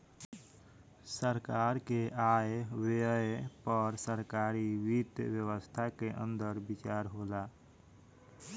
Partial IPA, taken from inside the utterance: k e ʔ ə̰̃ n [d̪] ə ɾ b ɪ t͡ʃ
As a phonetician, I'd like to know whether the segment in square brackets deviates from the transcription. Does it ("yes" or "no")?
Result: no